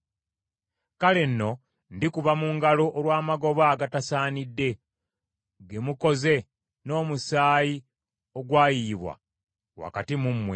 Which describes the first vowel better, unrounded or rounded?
unrounded